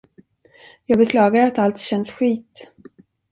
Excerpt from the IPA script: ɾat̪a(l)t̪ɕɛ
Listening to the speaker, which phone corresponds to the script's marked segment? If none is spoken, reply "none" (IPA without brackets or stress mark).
l